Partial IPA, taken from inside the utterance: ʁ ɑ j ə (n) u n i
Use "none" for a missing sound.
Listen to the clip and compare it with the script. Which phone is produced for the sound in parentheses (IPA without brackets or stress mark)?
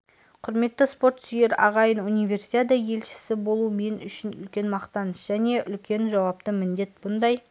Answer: n